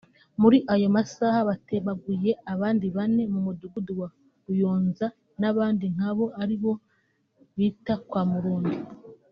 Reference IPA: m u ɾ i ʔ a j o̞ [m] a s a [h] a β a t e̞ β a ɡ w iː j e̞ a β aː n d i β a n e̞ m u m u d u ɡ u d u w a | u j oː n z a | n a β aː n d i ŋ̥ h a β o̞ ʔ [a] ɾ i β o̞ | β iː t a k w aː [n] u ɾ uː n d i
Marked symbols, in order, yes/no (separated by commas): yes, yes, yes, no